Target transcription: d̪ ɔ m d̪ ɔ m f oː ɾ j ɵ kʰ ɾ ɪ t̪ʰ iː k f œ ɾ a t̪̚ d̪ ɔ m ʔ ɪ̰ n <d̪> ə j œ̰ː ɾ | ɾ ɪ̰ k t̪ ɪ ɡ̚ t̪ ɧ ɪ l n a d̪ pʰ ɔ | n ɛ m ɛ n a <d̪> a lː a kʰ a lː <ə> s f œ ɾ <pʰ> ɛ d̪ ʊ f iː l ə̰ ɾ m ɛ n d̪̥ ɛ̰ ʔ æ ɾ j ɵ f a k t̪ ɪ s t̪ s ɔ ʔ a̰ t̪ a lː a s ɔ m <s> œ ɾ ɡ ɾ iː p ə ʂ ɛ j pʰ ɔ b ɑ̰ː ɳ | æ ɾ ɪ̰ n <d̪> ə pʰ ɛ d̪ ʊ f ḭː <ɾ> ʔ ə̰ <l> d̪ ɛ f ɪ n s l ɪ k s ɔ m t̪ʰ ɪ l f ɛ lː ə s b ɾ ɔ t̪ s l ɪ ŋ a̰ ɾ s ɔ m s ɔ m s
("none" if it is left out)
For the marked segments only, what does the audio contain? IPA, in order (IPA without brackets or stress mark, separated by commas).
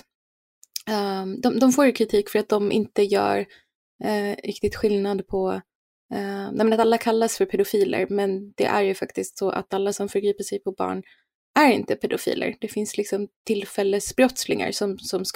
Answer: t̪, t̪, a, pʰ, f, t̪, l, ɾ